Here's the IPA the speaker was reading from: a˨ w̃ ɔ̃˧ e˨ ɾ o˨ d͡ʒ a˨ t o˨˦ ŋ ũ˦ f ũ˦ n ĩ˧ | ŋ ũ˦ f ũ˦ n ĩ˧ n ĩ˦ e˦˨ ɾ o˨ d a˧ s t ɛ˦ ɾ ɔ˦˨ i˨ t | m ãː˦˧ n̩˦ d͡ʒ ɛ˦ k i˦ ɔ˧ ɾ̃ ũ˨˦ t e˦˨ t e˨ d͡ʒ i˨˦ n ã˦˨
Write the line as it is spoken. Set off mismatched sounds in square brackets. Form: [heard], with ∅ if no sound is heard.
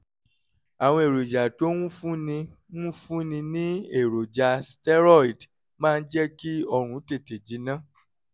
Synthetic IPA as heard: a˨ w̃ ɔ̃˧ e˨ ɾ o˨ d͡ʒ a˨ t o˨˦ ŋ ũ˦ f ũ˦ n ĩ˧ | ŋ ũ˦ f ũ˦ n ĩ˧ n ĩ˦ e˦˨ ɾ o˨ [d͡ʒ] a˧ s t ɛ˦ ɾ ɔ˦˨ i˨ [d] | m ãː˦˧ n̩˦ d͡ʒ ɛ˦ k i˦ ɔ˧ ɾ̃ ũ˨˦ t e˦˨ t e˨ d͡ʒ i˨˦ n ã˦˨